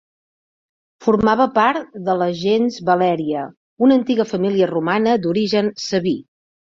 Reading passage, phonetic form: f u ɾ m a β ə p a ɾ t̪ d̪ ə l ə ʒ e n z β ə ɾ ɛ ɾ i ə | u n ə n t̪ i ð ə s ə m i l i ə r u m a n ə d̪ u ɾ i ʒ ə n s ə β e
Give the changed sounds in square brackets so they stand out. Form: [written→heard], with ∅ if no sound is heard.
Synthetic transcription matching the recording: f u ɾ m a β ə p a ɾ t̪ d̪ ə l ə ʒ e n z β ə [ɾ→l] ɛ ɾ i ə | u n ə n t̪ i [ð→ɣ] ə [s→f] ə m i l i ə r u m a n ə d̪ u ɾ i ʒ ə n s ə β [e→i]